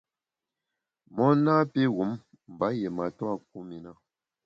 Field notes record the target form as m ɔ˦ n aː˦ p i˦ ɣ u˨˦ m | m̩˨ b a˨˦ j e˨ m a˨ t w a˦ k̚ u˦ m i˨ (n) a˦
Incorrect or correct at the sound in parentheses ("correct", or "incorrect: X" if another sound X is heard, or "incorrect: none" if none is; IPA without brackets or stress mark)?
correct